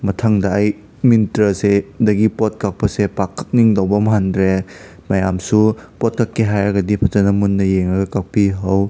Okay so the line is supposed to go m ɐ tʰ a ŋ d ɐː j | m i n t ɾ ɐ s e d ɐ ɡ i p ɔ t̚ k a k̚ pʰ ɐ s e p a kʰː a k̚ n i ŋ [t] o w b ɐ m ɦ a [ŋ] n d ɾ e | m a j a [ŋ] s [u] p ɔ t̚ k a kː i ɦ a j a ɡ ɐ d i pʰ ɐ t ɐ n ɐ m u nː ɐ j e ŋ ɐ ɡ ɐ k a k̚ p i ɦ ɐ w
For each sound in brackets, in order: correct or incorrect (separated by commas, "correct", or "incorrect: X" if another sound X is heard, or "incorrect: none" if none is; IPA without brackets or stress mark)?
incorrect: d, incorrect: none, incorrect: m, correct